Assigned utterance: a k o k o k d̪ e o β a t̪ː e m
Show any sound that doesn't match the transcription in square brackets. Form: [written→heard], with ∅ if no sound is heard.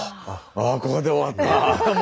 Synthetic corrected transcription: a k o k o [k→∅] d̪ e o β a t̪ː [e→a] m